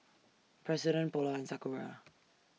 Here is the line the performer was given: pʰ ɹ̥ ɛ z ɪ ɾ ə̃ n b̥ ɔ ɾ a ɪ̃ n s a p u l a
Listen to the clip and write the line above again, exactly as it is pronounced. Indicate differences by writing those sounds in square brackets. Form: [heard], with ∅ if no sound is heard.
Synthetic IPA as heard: pʰ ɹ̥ ɛ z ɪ ɾ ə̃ n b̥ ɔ [l] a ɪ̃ n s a [k] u [ɹ] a